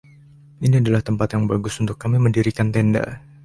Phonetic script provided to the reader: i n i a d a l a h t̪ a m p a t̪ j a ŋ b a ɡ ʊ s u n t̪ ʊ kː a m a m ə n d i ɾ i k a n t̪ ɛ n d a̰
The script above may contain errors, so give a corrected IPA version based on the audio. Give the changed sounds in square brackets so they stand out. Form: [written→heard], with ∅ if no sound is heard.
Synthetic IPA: i n i a d a l a h t̪ [a→ə] m p a t̪ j a ŋ b a ɡ ʊ s u n t̪ ʊ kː a m [a→i] m ə n d i ɾ i k a n t̪ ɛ n d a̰